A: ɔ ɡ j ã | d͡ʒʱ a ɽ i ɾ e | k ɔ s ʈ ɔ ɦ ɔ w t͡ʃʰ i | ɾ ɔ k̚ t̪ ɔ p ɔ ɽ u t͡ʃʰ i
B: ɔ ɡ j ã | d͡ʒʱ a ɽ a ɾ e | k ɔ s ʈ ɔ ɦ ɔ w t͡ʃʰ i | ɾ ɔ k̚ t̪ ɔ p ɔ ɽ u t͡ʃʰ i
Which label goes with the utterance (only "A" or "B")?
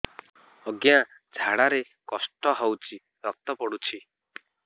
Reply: B